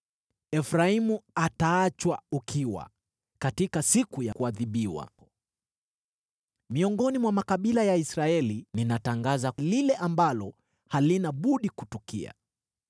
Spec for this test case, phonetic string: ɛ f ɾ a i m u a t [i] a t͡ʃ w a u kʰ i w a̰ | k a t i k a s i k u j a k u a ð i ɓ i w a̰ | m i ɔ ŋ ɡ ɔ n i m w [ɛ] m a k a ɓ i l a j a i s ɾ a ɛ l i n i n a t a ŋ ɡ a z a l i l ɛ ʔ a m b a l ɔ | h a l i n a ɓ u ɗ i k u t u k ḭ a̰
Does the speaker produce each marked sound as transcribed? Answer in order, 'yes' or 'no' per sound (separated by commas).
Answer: no, no